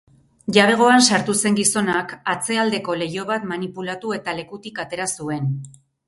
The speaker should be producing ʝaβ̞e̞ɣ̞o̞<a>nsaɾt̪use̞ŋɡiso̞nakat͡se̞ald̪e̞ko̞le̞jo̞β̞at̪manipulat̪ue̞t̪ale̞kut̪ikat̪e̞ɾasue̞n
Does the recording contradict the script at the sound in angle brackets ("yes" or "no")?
no